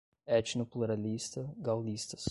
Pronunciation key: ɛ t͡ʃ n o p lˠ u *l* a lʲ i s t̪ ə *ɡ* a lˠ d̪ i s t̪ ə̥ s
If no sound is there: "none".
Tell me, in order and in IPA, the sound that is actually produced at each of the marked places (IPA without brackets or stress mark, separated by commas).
ɾ, ɡ